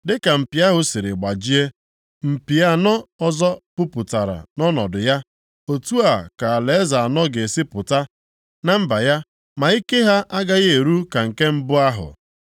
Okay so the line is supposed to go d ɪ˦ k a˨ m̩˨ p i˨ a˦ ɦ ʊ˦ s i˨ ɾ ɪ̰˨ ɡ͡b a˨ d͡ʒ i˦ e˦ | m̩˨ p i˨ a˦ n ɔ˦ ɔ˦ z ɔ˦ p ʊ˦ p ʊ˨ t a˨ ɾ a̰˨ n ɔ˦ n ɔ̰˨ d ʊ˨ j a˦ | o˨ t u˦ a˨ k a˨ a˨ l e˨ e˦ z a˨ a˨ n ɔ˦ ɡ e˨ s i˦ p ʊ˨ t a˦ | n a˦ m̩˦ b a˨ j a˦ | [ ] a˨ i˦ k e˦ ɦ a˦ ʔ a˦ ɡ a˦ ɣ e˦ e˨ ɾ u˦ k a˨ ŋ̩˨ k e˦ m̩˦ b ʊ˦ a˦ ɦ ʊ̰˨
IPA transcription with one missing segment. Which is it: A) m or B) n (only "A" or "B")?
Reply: A